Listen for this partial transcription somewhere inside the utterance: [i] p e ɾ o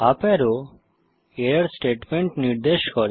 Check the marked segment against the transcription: incorrect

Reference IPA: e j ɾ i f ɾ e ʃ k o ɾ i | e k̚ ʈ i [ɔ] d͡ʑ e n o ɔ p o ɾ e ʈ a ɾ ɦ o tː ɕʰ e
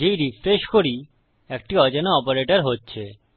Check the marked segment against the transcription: correct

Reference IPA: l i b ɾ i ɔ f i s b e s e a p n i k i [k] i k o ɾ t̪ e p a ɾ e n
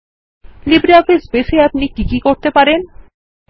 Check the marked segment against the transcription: correct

